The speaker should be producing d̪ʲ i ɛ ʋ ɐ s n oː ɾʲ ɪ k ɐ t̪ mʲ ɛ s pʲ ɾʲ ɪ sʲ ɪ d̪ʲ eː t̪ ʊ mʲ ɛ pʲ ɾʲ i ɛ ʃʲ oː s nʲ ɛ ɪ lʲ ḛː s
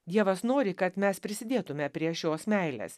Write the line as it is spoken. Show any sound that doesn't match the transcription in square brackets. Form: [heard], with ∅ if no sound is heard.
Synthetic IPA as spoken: d̪ʲ i ɛ ʋ ɐ s n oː ɾʲ ɪ k ɐ t̪ mʲ ɛ s pʲ ɾʲ ɪ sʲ ɪ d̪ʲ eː t̪ ʊ mʲ ɛ pʲ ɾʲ i ɛ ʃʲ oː s [mʲ] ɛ ɪ lʲ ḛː s